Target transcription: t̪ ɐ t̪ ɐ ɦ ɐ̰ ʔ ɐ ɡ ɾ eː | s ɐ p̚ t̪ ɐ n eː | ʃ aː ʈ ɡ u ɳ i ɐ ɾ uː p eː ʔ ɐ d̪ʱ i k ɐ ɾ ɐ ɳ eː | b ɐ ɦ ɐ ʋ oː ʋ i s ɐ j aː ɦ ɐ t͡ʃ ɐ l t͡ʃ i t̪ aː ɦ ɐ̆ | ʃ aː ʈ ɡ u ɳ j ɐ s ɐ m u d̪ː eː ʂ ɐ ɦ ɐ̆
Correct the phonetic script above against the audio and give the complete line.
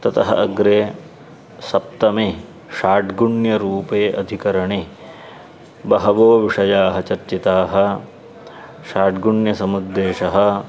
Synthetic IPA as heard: t̪ ɐ t̪ ɐ ɦ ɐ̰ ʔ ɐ ɡ ɾ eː | s ɐ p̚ t̪ ɐ m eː | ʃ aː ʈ ɡ u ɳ j ɐ ɾ uː p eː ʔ ɐ d̪ʱ i k ɐ ɾ ɐ ɳ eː | b ɐ ɦ ɐ ʋ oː ʋ i ʂ ɐ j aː ɦ ɐ t͡ʃ ɐ ɾ t͡ʃ i t̪ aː ɦ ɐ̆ | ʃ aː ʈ ɡ u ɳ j ɐ s ɐ m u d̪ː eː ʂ ɐ ɦ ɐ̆